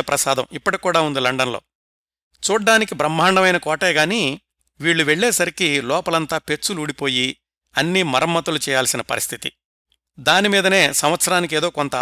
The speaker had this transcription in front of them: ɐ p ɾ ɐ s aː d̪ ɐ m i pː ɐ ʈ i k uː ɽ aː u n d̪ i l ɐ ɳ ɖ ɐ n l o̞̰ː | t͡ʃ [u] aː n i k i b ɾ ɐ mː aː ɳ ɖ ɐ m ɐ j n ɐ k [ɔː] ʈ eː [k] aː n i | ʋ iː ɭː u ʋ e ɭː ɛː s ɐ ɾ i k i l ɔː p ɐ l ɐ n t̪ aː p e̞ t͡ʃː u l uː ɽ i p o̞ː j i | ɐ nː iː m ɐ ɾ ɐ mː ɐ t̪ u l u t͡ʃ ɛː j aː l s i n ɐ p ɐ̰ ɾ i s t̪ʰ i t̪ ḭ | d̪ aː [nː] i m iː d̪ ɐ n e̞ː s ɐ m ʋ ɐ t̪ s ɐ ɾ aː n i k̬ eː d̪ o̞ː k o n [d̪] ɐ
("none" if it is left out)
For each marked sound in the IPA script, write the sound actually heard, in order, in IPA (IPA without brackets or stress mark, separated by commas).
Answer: uː, ɔː, ɡ, n, t̪